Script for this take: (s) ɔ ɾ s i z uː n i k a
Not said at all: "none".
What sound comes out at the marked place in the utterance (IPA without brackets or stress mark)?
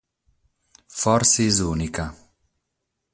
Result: f